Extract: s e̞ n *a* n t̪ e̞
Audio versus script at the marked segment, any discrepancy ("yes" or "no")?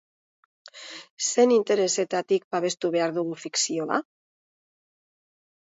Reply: yes